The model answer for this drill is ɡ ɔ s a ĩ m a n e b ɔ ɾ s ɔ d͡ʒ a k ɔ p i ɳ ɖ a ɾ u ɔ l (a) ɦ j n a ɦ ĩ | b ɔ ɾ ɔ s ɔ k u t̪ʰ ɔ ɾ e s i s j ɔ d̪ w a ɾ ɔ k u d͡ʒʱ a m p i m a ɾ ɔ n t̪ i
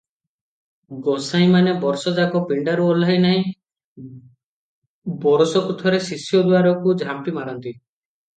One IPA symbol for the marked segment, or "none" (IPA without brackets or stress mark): a